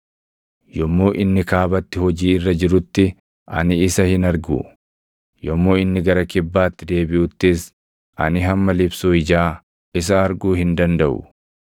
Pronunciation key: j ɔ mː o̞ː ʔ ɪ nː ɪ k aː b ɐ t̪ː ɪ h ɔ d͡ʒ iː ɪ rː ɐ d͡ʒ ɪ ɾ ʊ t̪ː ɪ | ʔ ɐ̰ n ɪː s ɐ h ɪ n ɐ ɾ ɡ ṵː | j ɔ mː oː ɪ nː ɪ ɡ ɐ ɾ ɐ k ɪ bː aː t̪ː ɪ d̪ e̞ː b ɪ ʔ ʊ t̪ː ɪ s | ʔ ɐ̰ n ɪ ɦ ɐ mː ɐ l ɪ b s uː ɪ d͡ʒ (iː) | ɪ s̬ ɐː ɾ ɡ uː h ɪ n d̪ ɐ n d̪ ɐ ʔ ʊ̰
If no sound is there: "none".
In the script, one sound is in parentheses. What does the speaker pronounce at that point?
aː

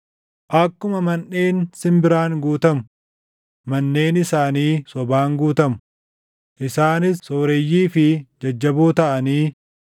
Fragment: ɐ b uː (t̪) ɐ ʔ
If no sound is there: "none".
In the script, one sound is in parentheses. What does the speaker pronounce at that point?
t̪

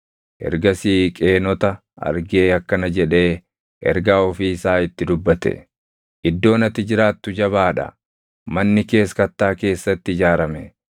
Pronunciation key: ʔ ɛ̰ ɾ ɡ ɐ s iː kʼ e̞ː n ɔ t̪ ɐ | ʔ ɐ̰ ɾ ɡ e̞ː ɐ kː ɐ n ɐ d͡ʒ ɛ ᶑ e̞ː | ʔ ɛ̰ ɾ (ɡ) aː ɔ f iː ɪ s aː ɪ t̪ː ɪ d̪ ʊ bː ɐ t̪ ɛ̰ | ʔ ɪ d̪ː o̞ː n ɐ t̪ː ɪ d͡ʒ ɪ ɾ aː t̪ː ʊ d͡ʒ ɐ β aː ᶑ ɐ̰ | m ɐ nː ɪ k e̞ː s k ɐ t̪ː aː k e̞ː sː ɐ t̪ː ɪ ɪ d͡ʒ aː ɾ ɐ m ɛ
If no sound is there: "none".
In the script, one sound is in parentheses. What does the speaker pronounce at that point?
ɡ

